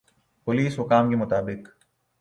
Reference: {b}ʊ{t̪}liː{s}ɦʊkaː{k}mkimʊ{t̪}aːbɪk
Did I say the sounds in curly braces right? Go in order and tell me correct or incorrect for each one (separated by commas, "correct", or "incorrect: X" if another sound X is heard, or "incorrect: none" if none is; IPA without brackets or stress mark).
incorrect: p, incorrect: none, correct, incorrect: none, correct